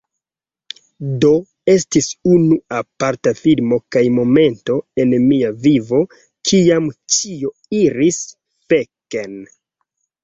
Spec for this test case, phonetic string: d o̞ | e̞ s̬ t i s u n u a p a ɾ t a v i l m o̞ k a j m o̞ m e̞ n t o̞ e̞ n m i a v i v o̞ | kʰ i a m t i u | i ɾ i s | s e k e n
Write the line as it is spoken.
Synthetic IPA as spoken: d o̞ | e̞ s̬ t i s u n u a p a ɾ t a f i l m o̞ k a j m o̞ m e̞ n t o̞ e̞ n m i a v i v o̞ | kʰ i a m t͡ʃ i o | i ɾ i s | f e k e n